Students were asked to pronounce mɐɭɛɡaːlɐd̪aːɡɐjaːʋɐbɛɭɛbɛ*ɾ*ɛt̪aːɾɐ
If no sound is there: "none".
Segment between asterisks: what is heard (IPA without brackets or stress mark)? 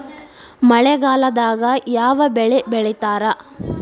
ɭ